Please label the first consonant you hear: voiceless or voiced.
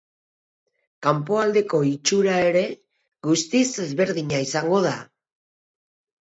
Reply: voiceless